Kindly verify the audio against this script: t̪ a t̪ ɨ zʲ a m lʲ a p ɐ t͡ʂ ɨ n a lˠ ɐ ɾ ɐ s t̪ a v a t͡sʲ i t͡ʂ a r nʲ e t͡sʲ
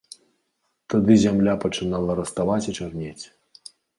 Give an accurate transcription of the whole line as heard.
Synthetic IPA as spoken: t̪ a d̪ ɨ zʲ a m lʲ a p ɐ t͡ʂ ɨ n a lˠ ɐ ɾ ɐ s t̪ a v a t͡sʲ i t͡ʂ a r nʲ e t͡sʲ